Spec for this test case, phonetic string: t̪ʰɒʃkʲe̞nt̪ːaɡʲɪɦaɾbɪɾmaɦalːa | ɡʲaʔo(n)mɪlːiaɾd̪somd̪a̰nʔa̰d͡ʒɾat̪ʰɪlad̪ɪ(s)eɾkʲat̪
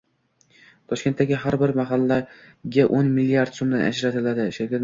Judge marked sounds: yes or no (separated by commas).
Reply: yes, no